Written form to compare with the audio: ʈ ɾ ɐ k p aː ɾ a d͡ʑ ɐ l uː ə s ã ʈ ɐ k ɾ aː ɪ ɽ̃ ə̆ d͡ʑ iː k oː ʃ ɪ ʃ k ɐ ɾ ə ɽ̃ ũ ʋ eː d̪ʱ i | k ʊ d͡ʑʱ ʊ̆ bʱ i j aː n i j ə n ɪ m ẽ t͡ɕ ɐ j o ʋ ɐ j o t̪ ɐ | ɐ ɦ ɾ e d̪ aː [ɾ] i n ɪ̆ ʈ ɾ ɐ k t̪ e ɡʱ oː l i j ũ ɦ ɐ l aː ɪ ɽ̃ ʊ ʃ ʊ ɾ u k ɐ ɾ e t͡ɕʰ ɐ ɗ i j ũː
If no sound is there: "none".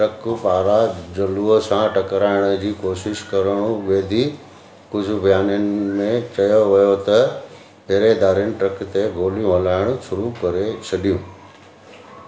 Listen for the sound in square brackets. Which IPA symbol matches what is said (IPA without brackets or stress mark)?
ɾ